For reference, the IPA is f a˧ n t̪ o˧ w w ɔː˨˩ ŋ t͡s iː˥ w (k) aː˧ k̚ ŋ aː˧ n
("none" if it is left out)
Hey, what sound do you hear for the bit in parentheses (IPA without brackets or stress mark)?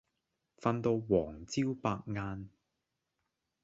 p